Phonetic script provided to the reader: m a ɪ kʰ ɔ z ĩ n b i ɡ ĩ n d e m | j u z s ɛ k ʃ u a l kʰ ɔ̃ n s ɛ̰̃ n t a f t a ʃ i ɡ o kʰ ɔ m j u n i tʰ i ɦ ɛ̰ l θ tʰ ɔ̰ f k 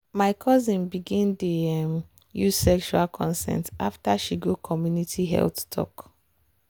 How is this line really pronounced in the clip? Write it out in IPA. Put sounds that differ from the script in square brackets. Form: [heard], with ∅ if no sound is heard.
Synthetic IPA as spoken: m a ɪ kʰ ɔ z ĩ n b i ɡ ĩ n d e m | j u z s ɛ k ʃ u a l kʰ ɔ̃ n s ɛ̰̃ n t a f t a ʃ i ɡ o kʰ ɔ m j u n i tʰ i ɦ ɛ̰ l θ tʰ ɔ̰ [∅] k